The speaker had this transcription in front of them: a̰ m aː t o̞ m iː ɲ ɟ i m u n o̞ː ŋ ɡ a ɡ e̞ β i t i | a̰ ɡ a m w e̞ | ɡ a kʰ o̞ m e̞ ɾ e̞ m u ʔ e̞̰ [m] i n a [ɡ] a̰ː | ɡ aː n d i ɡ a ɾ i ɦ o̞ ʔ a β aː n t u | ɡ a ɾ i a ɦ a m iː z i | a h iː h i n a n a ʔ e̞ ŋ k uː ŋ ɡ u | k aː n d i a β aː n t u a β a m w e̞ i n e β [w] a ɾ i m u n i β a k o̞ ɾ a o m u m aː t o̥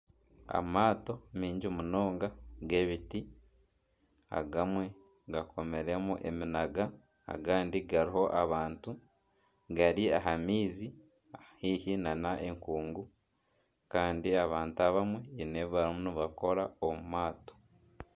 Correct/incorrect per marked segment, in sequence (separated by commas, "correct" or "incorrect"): correct, correct, incorrect